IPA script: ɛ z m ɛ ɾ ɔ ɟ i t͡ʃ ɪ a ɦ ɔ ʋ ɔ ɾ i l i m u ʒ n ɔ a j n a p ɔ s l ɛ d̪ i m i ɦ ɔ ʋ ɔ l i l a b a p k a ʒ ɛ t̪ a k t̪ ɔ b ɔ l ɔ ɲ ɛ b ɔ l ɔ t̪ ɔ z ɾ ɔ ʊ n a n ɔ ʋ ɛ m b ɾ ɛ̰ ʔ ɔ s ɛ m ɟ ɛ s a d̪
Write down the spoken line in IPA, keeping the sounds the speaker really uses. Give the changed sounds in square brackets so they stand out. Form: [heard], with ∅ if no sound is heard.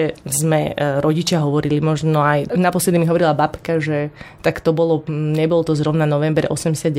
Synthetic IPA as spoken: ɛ z m ɛ ɾ ɔ ɟ i t͡ʃ ɪ a ɦ ɔ ʋ ɔ ɾ i l i m [ɔ] ʒ n ɔ a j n a p ɔ s l ɛ d̪ i m i ɦ ɔ ʋ ɔ [ɾ] i l a b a p k a ʒ ɛ t̪ a k t̪ ɔ b ɔ l ɔ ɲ ɛ b ɔ l ɔ t̪ ɔ z ɾ ɔ ʊ n a n ɔ ʋ ɛ m b ɾ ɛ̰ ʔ ɔ s ɛ m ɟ ɛ s a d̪